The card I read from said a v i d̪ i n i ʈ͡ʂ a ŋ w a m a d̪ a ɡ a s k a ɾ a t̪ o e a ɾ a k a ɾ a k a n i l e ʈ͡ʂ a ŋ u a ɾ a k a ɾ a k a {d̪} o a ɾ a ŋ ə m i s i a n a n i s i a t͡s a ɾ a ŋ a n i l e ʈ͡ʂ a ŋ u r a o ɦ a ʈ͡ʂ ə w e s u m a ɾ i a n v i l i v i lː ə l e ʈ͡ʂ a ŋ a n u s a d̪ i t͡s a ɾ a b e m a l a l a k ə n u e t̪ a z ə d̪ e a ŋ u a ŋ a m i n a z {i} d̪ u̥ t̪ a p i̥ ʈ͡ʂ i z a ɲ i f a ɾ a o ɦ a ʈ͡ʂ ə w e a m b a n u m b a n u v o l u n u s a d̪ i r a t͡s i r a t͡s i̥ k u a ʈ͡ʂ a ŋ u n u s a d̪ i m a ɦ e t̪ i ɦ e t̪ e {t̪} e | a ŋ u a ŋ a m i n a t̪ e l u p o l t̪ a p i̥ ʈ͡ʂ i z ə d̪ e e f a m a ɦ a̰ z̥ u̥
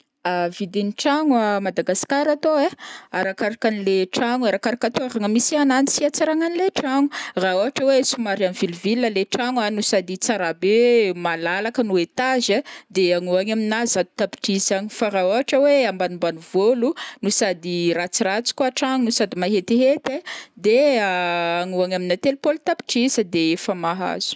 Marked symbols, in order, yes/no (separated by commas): no, no, no